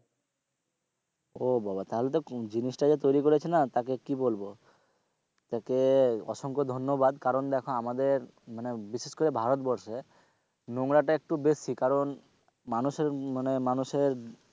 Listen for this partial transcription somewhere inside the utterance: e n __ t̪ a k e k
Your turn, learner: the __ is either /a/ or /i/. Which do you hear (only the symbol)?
a